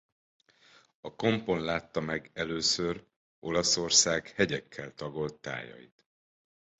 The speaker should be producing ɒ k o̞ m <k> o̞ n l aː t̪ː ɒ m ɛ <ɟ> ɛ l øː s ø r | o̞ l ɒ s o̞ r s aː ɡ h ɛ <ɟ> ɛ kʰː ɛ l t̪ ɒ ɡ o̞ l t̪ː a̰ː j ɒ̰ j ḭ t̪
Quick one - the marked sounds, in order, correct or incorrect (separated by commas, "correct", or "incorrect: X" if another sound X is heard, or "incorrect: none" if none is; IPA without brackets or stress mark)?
incorrect: p, incorrect: ɡ, correct